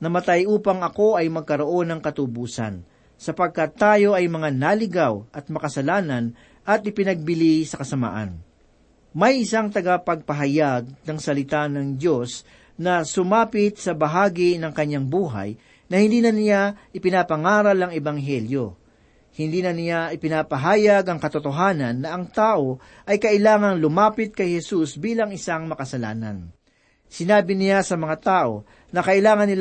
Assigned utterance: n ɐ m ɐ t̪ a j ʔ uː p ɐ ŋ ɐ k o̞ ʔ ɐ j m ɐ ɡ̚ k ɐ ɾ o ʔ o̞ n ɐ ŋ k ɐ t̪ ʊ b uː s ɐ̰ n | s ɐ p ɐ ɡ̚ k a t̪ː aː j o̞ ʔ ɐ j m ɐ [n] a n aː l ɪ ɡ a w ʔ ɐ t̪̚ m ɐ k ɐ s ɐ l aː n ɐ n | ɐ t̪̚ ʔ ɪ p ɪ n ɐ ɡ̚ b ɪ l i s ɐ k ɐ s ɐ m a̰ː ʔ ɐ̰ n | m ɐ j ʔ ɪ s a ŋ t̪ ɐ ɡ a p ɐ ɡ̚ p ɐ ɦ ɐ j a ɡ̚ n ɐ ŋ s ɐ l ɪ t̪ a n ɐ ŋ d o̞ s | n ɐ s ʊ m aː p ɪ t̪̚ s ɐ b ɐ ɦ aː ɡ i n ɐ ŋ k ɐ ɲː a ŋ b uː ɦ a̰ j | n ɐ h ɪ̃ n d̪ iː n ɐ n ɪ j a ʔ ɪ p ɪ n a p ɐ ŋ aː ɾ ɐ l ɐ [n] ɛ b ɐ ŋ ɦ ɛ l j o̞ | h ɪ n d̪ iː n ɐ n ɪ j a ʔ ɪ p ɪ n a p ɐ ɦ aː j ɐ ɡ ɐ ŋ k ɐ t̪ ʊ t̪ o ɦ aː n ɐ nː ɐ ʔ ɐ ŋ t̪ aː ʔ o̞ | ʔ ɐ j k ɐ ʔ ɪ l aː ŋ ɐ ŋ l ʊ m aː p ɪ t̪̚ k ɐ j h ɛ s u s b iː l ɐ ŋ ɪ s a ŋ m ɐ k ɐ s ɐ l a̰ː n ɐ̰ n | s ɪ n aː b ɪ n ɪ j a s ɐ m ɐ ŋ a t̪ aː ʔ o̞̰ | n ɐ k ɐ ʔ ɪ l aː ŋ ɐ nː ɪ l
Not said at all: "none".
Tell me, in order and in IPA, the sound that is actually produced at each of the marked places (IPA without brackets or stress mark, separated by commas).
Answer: ŋ, ŋ